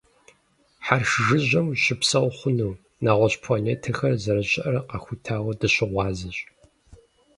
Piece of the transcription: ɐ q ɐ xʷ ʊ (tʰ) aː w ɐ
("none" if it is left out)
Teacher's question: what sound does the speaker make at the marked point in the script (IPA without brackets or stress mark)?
tʰ